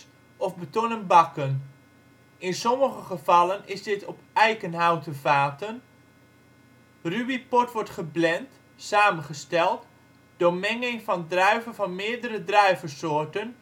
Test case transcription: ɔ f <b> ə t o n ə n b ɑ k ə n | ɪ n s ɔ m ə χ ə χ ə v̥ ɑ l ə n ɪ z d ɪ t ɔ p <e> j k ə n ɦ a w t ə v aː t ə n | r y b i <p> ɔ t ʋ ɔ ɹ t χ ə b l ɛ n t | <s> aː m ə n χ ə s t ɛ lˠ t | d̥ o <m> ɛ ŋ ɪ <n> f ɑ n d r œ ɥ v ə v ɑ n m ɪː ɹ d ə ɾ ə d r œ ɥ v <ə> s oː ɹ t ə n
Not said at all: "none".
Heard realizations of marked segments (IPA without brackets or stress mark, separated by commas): b, ɛ, p, s, m, ŋ, ə